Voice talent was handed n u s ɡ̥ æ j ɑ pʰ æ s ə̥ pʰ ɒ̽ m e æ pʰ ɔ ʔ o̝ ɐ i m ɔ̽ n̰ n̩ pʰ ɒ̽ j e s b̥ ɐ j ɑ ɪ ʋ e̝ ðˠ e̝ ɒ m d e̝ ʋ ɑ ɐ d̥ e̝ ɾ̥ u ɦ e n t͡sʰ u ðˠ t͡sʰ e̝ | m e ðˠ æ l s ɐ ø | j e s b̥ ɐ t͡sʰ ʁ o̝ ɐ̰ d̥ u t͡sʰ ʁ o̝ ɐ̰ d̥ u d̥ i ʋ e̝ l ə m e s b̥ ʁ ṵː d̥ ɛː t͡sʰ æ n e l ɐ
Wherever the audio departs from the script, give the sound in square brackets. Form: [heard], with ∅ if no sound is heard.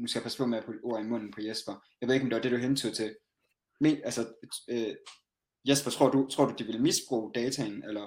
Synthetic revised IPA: n u s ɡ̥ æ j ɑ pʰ æ s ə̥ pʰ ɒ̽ m e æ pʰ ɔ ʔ o̝ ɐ i m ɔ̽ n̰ n̩ pʰ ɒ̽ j e s b̥ ɐ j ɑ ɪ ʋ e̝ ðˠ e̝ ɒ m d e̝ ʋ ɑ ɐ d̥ e̝ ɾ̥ u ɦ e n t͡sʰ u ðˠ t͡sʰ e̝ | m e [∅] æ l s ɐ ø | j e s b̥ ɐ t͡sʰ ʁ o̝ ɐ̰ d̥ u t͡sʰ ʁ o̝ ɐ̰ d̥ u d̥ i ʋ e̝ l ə m [i] s b̥ ʁ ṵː d̥ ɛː t͡sʰ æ n e l ɐ